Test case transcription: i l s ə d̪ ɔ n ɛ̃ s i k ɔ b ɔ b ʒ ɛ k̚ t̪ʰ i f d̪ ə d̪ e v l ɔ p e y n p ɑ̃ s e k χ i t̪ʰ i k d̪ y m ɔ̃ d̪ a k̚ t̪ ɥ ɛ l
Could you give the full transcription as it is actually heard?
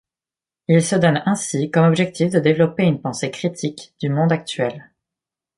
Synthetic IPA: i l s ə d̪ ɔ n ɛ̃ s i k ɔ m ɔ b ʒ ɛ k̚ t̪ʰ i f d̪ ə d̪ e v l ɔ p e y n p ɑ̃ s e k χ i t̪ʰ i k d̪ y m ɔ̃ d̪ a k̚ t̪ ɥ ɛ l